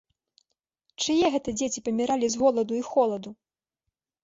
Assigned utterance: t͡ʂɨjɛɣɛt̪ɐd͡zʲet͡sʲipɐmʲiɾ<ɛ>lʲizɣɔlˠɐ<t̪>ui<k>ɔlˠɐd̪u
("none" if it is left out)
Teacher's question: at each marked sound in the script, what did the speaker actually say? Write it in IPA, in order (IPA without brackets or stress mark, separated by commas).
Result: a, d̪, x